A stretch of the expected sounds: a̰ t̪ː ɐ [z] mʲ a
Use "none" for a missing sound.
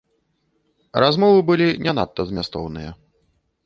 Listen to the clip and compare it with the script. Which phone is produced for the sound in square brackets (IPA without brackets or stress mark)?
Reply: z